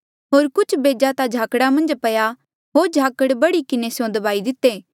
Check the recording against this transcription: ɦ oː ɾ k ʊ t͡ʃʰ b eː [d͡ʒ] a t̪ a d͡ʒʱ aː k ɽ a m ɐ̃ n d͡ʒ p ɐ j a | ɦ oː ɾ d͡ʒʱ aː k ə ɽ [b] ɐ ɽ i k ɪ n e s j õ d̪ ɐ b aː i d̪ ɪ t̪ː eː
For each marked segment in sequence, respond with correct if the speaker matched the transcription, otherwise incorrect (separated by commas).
correct, correct